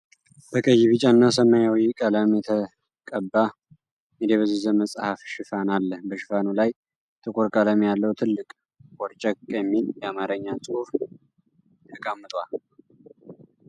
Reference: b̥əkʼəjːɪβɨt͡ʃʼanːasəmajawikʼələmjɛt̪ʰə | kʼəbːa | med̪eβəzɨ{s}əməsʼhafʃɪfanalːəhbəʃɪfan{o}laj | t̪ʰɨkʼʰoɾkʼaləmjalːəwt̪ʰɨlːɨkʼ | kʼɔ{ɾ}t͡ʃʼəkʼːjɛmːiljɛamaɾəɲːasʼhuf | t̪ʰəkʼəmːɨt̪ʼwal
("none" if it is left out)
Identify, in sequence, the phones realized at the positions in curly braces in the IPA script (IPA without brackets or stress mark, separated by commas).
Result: z, u, ɾ